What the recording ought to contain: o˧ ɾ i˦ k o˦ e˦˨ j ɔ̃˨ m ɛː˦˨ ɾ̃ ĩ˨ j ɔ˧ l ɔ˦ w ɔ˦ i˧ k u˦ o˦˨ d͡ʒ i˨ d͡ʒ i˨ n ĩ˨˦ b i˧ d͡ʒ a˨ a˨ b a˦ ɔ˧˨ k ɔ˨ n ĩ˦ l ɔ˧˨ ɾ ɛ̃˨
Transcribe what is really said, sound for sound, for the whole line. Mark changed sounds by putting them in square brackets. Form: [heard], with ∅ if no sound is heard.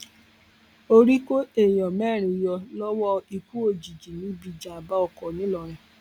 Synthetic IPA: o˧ ɾ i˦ k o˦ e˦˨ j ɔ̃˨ m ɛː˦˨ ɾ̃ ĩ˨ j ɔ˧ l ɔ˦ w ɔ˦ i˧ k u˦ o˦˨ d͡ʒ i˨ d͡ʒ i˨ n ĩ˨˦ b i˧ d͡ʒ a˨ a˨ b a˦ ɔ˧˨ k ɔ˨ n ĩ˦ l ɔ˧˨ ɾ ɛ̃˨